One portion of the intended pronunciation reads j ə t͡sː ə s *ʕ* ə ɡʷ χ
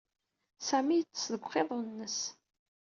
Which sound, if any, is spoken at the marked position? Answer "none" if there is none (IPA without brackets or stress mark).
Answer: ð